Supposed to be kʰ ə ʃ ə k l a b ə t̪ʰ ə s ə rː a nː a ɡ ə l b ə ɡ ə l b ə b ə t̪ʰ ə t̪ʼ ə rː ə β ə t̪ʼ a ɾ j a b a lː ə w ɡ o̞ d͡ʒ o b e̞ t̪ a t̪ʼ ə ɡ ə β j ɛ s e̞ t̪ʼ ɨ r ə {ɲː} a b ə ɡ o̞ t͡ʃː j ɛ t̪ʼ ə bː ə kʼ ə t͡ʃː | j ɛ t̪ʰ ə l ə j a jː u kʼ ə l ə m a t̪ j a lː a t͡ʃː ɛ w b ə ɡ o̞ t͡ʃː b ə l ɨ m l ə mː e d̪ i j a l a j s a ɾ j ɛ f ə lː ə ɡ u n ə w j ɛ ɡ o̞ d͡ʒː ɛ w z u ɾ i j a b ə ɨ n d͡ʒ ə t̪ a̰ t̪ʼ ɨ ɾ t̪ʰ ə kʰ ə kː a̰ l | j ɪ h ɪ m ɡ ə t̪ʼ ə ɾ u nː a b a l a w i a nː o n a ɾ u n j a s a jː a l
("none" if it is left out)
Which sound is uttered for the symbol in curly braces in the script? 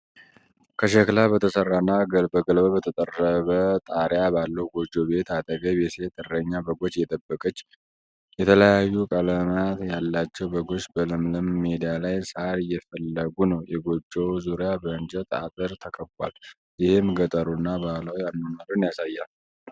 ɲː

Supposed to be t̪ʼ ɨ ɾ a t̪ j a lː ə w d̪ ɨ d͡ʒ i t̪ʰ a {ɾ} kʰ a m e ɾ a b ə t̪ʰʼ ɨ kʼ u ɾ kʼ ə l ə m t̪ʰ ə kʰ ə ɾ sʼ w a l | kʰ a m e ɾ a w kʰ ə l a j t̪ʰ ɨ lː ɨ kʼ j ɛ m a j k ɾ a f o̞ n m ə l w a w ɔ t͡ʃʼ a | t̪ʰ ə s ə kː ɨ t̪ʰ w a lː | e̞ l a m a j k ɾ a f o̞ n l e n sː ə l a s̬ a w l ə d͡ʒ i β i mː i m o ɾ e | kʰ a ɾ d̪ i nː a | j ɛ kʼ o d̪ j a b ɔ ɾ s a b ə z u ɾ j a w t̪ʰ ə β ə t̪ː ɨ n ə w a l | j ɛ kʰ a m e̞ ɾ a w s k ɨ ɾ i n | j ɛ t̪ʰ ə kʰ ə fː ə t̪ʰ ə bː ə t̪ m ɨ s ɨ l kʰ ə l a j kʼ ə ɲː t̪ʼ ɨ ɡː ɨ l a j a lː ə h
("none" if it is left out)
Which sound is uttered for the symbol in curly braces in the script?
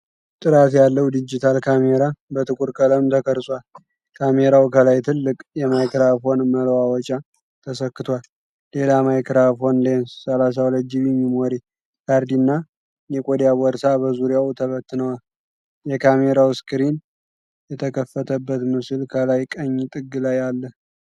l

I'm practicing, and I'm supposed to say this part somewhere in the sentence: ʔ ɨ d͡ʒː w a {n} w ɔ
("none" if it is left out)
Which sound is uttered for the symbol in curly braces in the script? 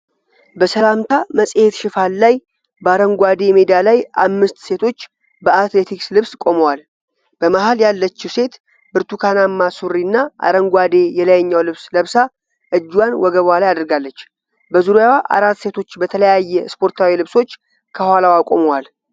n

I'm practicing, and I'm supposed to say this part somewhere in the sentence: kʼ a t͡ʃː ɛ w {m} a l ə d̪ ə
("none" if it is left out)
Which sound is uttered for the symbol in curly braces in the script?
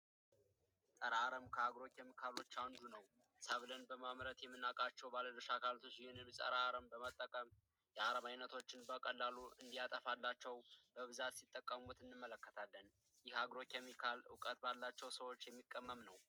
b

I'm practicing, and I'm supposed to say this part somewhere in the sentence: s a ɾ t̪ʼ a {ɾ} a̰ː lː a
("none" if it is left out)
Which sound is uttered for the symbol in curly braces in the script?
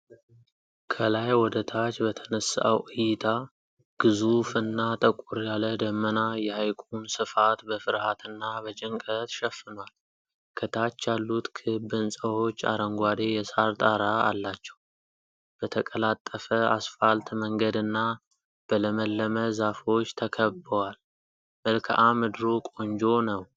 ɾ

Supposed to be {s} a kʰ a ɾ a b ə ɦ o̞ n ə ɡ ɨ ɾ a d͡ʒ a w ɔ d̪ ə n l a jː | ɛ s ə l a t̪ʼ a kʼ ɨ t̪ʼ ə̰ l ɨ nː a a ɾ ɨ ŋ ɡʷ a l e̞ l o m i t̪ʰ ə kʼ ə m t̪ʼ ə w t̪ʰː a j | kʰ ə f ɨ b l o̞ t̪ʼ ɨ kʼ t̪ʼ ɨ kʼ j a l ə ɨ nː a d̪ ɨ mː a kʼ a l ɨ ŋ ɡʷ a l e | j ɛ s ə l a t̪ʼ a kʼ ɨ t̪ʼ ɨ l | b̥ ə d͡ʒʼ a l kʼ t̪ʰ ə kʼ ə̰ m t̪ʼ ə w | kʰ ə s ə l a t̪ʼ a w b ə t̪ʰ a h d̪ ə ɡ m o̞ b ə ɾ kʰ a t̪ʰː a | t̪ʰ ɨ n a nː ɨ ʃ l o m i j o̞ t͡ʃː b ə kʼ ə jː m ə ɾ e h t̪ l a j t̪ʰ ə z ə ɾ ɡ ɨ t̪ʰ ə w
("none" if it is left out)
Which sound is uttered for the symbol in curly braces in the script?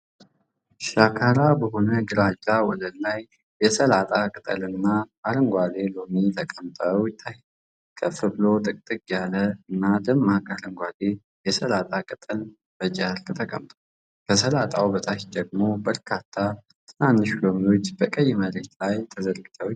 ʃ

